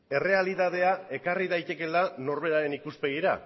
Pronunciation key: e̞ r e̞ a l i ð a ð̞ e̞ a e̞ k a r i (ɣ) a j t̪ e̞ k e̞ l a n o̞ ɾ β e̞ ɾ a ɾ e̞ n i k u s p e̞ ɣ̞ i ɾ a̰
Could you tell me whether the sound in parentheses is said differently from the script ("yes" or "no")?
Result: yes